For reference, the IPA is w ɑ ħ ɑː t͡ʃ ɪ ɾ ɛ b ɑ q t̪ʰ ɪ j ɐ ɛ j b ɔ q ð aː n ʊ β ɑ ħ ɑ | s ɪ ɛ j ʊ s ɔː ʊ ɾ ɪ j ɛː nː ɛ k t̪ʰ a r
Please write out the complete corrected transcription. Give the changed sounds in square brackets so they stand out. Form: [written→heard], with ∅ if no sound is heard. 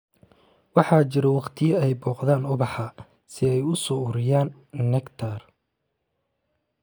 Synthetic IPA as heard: w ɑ ħ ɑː t͡ʃ ɪ ɾ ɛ [b→w] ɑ q t̪ʰ ɪ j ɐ ɛ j b [ɔ→ɔː] q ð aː n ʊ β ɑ ħ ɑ | s ɪ ɛ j ʊ s ɔː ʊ ɾ ɪ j [ɛː→aː] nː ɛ k t̪ʰ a r